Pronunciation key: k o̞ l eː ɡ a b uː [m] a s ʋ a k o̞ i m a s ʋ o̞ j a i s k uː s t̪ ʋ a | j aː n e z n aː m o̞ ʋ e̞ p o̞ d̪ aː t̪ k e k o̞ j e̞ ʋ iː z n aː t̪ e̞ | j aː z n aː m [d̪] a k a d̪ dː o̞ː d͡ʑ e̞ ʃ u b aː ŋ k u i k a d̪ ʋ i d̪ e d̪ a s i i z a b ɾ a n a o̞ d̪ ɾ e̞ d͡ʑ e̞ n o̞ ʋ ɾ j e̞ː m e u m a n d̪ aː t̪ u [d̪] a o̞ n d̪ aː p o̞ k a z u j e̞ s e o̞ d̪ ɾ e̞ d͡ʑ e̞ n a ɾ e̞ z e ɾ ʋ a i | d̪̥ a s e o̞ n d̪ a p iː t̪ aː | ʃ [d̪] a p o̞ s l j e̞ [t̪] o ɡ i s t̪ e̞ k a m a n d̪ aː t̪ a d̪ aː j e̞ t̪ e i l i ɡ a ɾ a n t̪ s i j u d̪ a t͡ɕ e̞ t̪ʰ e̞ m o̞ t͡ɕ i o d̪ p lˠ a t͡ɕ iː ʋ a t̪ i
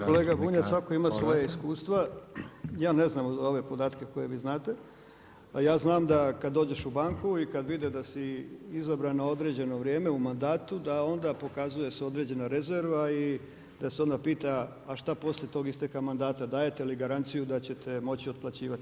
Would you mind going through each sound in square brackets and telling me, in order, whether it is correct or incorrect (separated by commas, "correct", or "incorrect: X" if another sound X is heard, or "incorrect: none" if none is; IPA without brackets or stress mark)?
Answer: incorrect: ɲ, correct, correct, incorrect: t̪, correct